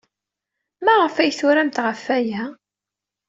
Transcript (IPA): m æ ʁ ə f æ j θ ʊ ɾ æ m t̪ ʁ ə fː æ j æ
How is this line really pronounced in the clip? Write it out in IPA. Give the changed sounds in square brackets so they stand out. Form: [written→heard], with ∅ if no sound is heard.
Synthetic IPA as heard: m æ ʁ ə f æ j θ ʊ ɾ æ m t̪ ʁ ə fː æ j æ